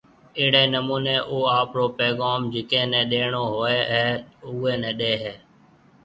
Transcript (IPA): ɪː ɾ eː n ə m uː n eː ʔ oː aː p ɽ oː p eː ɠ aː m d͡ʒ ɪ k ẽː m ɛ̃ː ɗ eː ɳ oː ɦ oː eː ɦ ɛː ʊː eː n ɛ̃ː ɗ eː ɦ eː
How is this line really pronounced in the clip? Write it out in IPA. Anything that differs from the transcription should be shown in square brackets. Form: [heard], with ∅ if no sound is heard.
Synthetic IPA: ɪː [ɽ] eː n ə m uː n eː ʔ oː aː p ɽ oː p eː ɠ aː m d͡ʒ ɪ k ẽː [n] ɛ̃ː ɗ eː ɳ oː ɦ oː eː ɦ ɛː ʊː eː n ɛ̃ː ɗ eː ɦ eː